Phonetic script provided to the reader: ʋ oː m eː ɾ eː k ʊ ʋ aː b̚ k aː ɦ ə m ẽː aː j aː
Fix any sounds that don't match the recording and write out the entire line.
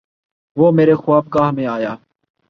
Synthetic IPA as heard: ʋ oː m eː ɾ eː x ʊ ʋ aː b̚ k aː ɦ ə m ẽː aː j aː